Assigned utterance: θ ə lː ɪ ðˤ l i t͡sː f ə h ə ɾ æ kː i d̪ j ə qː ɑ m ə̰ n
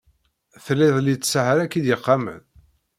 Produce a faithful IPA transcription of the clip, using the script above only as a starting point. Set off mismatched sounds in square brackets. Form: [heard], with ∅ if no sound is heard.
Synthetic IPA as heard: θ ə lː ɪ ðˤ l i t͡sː [s] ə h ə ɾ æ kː i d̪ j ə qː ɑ m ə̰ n